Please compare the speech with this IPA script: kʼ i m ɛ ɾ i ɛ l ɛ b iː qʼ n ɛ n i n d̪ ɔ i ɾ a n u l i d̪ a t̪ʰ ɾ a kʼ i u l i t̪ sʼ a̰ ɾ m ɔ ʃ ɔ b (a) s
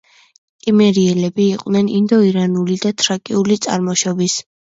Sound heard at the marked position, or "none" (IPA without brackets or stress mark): i